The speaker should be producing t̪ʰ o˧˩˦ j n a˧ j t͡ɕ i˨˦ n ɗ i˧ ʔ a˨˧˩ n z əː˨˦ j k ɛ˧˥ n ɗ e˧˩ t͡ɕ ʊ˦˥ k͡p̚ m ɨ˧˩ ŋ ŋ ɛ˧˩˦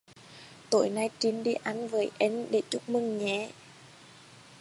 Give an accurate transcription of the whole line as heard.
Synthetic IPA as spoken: t̪ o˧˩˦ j n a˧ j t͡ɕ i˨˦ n ɗ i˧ ʔ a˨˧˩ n v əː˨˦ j ʔ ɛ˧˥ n ɗ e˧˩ t͡ɕ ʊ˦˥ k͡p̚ m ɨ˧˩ ŋ ɲ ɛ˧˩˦